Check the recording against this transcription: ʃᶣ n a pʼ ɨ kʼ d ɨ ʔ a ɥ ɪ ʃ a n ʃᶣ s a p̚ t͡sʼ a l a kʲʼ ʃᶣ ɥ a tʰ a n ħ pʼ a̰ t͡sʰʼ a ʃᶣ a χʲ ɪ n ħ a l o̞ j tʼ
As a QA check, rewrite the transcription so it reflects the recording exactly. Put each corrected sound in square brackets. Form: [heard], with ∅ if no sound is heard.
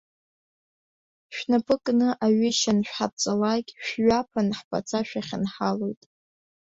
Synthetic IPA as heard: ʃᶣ n a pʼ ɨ kʼ [n] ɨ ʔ a ɥ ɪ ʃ a n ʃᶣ [ħ] a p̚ t͡sʼ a l a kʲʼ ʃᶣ ɥ a [pʰ] a n ħ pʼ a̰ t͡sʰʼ a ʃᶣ a χʲ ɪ n ħ a l o̞ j tʼ